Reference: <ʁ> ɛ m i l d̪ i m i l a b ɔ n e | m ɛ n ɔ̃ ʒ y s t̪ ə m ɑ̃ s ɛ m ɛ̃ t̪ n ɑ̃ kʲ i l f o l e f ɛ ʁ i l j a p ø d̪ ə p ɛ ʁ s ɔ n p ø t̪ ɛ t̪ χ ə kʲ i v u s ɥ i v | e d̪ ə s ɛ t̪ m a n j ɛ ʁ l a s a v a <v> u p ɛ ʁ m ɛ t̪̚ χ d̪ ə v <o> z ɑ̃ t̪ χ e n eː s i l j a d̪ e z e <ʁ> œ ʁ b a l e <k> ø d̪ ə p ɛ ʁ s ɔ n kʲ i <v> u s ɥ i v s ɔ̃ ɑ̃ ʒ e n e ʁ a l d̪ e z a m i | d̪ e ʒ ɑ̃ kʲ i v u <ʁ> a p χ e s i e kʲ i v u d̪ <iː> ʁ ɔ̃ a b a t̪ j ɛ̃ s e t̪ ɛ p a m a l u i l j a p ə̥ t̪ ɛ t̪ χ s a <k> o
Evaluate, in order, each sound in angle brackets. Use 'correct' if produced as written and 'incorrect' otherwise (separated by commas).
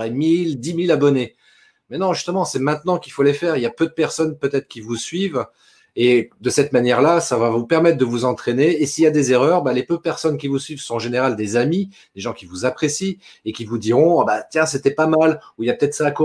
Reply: correct, correct, incorrect, correct, incorrect, correct, incorrect, incorrect, correct